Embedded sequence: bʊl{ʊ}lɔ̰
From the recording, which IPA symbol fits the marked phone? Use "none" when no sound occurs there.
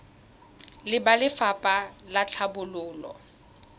ʊː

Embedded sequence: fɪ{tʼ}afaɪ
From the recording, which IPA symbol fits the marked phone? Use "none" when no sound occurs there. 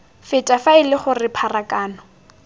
tʼ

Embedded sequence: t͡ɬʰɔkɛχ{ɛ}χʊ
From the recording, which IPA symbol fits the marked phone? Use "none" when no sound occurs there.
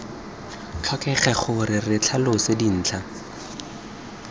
ɛ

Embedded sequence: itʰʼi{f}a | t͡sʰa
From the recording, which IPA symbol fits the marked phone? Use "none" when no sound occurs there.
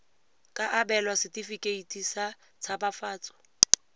s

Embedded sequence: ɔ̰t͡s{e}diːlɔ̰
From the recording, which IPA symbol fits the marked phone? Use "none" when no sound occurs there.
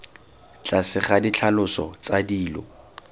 a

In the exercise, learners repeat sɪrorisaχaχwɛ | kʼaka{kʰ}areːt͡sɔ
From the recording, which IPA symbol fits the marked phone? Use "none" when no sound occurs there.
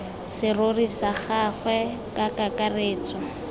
k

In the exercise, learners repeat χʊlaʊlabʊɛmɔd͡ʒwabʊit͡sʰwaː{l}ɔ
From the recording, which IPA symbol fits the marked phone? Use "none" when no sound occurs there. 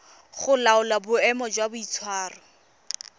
r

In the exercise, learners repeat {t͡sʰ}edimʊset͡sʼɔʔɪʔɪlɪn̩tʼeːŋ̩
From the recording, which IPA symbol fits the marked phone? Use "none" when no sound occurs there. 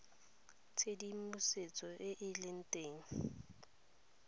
t͡sʰ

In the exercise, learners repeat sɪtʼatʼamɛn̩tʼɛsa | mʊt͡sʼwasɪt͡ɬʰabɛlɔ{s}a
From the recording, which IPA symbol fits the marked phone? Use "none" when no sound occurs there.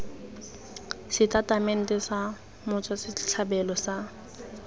s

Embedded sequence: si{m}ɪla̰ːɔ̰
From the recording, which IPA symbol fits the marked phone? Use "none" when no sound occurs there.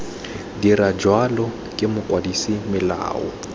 m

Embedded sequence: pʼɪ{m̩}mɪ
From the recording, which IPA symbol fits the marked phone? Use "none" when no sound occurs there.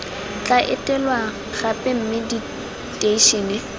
m̩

